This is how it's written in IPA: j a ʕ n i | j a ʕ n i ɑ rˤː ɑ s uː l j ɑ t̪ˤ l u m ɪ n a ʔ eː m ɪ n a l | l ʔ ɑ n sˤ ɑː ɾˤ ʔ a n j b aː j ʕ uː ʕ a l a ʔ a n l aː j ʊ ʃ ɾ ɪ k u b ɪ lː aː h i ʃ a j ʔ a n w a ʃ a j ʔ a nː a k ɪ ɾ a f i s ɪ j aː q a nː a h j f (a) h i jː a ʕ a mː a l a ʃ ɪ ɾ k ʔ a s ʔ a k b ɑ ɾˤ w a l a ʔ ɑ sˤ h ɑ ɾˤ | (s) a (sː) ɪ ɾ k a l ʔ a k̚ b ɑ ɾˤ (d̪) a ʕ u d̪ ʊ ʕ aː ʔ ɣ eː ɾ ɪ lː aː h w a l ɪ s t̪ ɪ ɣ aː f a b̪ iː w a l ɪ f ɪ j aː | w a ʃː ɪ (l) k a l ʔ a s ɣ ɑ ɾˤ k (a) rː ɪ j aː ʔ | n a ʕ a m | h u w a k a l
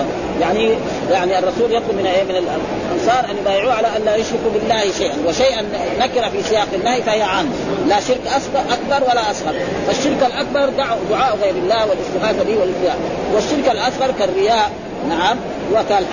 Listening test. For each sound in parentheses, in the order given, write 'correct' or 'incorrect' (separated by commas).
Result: correct, incorrect, incorrect, correct, incorrect, correct